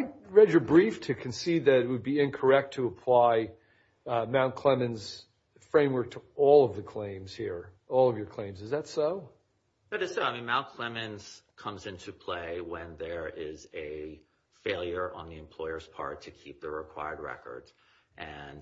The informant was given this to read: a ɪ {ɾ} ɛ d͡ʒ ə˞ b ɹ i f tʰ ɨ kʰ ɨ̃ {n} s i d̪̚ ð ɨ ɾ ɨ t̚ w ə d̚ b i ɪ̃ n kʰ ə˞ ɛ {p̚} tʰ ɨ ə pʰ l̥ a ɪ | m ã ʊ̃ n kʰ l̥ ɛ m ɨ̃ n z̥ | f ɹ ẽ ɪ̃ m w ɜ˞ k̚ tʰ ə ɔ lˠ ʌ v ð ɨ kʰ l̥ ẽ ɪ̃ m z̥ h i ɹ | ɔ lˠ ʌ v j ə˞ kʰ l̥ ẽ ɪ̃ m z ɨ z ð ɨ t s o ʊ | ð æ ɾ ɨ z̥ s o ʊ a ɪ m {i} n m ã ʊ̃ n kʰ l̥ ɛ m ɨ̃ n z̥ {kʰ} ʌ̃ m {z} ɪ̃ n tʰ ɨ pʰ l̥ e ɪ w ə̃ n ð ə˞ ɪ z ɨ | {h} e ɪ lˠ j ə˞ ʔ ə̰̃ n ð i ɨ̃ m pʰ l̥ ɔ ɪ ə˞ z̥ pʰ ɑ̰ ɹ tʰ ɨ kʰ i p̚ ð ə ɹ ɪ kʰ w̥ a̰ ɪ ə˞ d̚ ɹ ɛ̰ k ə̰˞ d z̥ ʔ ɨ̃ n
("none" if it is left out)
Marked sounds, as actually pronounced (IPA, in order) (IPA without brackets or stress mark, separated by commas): ɹ, n, k̚, ĩ, kʰ, z, f